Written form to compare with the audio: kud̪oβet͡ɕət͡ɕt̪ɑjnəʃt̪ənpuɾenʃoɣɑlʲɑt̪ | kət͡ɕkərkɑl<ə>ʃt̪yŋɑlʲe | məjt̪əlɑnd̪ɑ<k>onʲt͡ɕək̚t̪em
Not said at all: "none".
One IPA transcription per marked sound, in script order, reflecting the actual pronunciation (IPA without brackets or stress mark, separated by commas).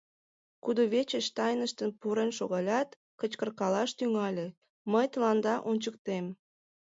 ɑ, ʔ